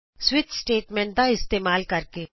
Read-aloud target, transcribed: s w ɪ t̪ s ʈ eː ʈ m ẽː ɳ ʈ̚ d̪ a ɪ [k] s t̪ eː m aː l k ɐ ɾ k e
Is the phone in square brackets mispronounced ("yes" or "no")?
yes